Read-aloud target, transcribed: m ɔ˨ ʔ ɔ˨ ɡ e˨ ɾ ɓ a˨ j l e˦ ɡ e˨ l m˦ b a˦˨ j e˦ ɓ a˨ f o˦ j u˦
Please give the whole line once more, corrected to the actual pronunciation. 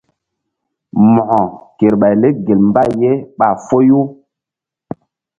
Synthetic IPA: m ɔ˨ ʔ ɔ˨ k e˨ ɾ ɓ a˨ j l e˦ ɡ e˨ l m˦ b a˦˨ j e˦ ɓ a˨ f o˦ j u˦